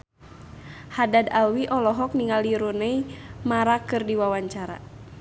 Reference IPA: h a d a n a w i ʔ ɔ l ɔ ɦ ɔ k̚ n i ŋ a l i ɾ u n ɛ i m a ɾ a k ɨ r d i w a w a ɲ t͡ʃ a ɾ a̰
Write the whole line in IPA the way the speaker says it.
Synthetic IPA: h a d a d a w i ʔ ɔ l ɔ ɦ ɔ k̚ n i ŋ a l i ɾ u n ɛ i m a ɾ a k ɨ r d i w a w a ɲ t͡ʃ a ɾ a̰